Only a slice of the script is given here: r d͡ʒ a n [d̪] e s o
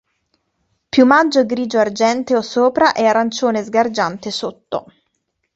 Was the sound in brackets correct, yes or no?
no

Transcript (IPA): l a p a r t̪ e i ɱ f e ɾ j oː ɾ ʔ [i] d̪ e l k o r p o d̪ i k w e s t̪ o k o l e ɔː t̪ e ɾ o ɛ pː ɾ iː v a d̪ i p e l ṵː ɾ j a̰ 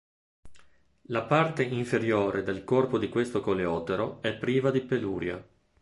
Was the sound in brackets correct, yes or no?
no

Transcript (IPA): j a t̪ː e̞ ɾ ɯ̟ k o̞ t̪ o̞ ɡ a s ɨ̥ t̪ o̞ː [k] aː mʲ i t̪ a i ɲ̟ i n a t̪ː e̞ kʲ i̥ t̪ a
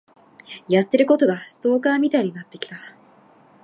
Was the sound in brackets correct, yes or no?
yes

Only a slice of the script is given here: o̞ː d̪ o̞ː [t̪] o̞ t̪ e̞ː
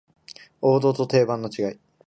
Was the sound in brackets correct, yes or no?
yes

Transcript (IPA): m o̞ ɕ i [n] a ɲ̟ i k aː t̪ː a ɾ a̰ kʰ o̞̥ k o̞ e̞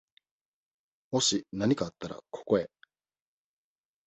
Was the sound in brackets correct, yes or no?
yes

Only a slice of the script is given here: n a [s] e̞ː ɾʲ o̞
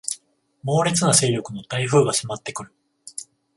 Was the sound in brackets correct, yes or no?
yes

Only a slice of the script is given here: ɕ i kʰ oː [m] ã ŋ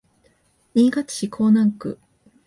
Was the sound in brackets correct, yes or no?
no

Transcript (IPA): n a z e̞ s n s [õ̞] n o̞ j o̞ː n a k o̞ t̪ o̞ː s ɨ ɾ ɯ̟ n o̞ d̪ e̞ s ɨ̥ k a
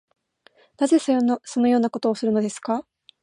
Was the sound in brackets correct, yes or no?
no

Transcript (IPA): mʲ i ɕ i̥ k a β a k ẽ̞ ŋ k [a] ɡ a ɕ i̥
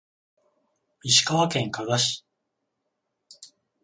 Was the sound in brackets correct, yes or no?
yes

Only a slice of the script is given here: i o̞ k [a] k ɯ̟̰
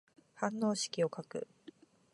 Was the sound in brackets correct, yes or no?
yes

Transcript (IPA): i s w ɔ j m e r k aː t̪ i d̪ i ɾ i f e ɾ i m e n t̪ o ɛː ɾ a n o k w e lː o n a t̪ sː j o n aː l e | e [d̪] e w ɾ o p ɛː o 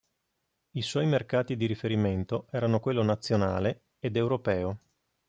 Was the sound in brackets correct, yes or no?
yes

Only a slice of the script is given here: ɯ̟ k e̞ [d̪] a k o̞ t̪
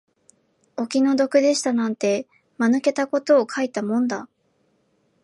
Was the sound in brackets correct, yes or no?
no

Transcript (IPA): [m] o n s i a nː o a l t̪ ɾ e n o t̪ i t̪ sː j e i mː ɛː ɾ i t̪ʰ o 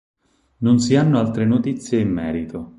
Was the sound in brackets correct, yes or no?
no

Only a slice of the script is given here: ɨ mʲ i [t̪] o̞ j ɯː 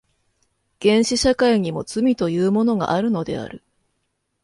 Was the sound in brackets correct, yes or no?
yes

